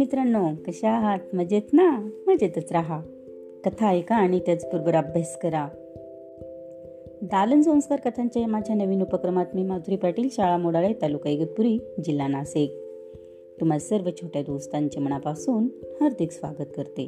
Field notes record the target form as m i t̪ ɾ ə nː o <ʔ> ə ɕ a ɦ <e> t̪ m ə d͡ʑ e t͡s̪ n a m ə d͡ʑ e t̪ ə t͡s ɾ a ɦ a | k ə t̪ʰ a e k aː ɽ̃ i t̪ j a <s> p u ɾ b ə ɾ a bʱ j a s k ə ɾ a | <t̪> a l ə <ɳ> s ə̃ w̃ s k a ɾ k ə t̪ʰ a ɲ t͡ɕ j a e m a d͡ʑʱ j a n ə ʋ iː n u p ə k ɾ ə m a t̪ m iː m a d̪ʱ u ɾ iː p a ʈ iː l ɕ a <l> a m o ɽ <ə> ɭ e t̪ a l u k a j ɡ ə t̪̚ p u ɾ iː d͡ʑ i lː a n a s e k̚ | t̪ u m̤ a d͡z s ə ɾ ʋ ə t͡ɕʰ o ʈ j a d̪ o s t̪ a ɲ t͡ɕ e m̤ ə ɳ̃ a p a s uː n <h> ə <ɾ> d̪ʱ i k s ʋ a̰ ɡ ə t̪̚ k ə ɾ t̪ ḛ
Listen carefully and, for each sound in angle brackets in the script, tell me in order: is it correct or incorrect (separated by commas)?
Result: incorrect, incorrect, incorrect, incorrect, incorrect, incorrect, incorrect, correct, correct